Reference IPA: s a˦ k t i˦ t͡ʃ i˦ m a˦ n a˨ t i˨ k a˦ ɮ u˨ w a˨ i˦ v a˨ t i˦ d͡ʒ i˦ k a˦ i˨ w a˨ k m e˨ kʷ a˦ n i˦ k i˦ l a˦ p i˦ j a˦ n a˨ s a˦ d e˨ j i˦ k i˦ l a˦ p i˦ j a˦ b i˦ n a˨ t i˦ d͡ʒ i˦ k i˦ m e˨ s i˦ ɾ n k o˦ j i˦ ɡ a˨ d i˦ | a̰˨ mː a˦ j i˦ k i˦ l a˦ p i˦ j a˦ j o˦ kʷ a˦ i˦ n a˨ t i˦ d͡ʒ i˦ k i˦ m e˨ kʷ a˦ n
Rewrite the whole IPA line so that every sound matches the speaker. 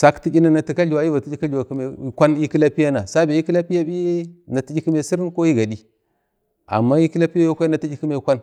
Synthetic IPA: s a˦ k t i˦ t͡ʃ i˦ n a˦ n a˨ t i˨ k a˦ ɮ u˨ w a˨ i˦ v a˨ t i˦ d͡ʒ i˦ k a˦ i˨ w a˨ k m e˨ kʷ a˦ n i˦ k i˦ l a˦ p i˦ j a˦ n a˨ s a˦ b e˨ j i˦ k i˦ l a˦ p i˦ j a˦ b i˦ n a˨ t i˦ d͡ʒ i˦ k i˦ m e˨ s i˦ ɾ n k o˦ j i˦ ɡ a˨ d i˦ | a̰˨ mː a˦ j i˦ k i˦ l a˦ p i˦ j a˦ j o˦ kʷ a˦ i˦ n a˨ t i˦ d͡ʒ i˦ k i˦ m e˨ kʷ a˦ n